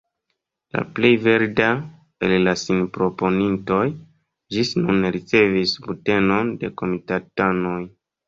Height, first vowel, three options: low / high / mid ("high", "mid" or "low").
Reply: low